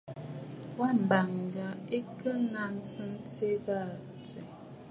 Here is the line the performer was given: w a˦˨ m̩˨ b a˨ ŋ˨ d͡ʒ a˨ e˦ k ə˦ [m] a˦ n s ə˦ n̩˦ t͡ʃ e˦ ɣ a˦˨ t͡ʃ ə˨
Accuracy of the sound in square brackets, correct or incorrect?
incorrect